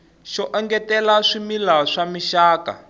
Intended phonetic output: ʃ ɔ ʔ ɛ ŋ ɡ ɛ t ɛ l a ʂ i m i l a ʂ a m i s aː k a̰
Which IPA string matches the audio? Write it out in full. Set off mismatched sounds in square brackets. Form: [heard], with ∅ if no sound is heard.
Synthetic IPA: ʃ ɔ ʔ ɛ ŋ ɡ ɛ t ɛ l a ʂ i m i l a ʂ a m i [ʃ] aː k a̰